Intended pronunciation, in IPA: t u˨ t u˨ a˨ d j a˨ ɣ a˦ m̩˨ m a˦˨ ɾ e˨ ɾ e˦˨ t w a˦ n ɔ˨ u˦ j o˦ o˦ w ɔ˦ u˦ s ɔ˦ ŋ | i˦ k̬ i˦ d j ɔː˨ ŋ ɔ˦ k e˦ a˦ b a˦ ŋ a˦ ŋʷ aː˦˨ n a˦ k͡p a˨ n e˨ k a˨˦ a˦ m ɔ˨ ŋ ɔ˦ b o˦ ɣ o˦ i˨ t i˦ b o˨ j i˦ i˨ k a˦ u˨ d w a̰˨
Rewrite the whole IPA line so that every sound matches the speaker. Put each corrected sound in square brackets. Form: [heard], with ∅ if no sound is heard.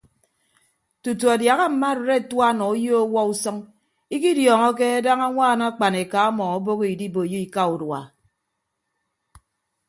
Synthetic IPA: t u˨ t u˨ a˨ d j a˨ ɣ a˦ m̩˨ m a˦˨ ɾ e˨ ɾ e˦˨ t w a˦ n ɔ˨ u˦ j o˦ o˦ w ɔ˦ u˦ s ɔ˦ ŋ | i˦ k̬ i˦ d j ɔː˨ ŋ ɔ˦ k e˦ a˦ [d] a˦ ŋ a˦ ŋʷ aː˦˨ n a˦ k͡p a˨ n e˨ k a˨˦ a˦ m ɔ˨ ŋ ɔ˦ b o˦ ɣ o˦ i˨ [d] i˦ b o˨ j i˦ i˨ k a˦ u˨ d w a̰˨

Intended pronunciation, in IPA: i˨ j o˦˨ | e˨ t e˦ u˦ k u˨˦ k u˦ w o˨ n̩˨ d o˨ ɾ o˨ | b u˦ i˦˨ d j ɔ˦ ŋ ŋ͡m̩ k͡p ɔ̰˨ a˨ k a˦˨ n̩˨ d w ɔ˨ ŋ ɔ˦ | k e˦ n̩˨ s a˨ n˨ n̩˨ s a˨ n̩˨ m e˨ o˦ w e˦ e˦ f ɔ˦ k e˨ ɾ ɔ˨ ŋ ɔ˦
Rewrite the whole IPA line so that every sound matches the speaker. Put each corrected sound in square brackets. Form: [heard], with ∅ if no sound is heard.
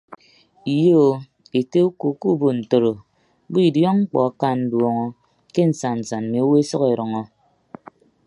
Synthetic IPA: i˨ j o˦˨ | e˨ t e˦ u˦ k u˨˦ k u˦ [b] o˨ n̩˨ [t] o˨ ɾ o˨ | b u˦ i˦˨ d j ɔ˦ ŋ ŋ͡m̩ k͡p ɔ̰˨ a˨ k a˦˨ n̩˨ d w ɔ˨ ŋ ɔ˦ | k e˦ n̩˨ s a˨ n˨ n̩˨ s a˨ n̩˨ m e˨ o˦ w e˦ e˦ [s] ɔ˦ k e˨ ɾ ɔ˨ ŋ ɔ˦

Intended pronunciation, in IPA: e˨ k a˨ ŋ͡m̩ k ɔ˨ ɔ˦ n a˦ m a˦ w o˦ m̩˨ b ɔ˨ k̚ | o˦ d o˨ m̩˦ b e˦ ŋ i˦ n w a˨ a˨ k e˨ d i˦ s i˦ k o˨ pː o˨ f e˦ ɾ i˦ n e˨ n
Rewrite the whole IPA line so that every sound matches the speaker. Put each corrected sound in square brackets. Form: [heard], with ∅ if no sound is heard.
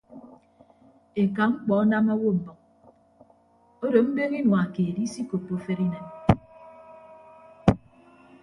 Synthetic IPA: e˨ k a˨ ŋ͡m̩ [k͡p] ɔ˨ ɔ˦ n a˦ m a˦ w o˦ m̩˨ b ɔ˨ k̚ | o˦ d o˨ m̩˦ b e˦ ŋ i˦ n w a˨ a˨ k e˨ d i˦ s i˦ k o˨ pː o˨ f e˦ ɾ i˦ n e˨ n

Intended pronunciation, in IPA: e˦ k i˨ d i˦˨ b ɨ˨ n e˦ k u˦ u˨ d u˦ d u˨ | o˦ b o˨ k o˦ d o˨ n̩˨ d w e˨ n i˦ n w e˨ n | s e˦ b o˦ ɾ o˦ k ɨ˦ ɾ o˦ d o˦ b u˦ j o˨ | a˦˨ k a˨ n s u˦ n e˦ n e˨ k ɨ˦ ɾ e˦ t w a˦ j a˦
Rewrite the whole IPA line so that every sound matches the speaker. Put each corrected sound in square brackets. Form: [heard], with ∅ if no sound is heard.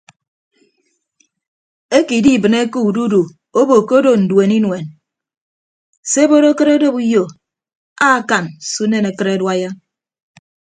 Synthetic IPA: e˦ k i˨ d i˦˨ b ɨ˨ n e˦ k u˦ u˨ d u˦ d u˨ | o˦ b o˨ k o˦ d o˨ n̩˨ d w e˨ n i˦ n w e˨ n | s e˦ b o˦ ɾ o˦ k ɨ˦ ɾ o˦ d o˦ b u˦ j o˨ | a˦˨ k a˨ n s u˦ n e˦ n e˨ k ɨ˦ ɾ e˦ [d] w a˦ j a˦

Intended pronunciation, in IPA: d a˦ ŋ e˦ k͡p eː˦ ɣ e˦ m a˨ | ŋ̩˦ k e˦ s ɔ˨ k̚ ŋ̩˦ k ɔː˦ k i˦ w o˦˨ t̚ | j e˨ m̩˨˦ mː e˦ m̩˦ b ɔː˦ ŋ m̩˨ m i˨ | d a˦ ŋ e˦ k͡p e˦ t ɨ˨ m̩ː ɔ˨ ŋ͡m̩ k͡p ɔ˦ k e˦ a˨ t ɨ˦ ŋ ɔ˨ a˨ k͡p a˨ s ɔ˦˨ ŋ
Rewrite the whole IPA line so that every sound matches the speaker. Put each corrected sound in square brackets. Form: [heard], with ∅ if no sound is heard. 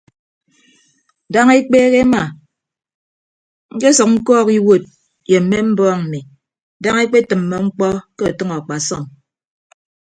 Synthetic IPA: d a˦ ŋ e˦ k͡p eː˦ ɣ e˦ m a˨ | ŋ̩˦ k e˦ s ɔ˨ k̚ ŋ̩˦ k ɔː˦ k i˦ w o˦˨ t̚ | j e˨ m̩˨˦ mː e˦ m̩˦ b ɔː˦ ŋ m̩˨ m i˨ | d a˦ ŋ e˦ k͡p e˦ t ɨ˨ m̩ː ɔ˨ ŋ͡m̩ k͡p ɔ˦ k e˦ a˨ t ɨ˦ ŋ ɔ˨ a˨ k͡p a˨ s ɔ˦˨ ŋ

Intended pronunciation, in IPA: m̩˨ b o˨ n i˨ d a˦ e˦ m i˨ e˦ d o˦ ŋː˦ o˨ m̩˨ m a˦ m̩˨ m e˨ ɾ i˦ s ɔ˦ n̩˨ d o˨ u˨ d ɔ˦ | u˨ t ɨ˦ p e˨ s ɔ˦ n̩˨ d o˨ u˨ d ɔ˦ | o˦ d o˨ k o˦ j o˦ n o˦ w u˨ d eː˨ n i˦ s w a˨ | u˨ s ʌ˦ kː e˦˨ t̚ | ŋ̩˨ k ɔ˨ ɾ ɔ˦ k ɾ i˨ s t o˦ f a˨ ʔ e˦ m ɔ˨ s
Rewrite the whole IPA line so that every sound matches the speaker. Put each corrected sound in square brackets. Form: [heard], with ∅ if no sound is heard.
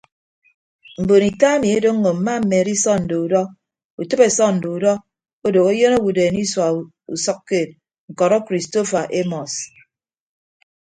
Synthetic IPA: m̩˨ b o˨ n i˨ [t] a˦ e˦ m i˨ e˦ d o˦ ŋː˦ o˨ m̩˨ m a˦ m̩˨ m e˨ ɾ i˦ s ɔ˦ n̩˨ d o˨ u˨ d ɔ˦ | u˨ t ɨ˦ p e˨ s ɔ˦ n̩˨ d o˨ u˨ d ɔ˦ | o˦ d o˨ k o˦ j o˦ n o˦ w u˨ d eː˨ n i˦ s w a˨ | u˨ s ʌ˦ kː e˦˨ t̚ | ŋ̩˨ k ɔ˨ ɾ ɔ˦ k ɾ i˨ s t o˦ f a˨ ʔ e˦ m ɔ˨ s

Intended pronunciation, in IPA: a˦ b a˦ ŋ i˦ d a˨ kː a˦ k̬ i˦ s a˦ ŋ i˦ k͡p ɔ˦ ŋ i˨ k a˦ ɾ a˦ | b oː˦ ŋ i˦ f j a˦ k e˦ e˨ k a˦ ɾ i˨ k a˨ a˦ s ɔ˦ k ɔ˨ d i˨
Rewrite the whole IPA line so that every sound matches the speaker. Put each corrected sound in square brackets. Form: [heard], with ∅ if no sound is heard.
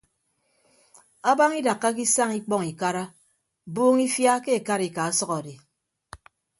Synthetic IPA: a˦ b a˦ ŋ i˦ d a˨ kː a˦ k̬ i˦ s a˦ ŋ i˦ k͡p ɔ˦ ŋ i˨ k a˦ ɾ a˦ | b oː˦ ŋ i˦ f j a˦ k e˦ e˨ k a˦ ɾ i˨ k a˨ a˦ s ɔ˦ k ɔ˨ d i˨

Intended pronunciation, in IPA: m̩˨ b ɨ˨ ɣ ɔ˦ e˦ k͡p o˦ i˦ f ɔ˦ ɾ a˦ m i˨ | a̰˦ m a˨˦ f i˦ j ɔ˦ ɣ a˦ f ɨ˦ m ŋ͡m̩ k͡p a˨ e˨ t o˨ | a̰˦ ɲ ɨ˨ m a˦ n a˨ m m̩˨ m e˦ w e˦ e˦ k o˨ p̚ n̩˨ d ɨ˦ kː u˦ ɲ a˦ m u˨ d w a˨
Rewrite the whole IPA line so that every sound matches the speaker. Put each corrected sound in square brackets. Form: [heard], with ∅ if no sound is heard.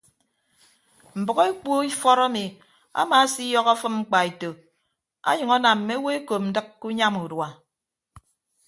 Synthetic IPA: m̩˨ b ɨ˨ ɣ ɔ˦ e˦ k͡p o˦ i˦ f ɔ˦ ɾ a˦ m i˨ | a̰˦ m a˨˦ [s] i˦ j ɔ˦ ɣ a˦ f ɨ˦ m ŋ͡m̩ k͡p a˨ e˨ t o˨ | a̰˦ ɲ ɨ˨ [ŋ] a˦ n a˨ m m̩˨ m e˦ w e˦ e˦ k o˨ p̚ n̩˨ d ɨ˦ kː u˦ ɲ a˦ m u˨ d w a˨

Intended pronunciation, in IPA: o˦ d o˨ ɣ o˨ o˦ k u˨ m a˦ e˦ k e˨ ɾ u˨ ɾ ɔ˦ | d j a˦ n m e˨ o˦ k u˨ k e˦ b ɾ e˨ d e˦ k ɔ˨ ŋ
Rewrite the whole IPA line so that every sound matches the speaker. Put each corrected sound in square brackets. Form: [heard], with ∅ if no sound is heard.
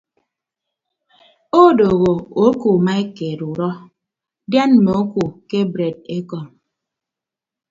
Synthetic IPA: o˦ d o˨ ɣ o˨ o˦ k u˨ m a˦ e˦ k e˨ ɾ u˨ ɾ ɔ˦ | d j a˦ n m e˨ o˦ k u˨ k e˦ b ɾ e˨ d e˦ k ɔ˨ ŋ

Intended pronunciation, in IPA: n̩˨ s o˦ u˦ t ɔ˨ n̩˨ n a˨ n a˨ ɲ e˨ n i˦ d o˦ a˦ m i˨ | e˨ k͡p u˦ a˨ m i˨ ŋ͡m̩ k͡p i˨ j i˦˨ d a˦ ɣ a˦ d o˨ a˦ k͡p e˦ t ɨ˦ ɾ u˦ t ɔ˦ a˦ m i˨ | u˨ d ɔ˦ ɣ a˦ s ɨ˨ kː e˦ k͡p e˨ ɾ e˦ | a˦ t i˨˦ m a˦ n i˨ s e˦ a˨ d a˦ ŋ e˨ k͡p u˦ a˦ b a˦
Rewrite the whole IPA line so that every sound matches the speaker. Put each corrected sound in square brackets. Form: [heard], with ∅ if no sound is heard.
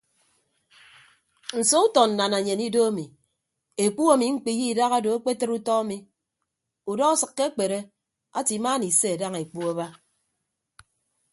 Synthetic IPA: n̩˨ s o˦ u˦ t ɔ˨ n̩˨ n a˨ n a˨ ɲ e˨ n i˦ d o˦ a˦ m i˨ | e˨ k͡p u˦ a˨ m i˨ ŋ͡m̩ k͡p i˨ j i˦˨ d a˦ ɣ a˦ d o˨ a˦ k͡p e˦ t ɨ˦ ɾ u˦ t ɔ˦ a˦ m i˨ | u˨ d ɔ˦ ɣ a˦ s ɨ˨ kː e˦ k͡p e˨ ɾ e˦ | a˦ t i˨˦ m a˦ n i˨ s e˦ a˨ d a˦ ŋ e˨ k͡p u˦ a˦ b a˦

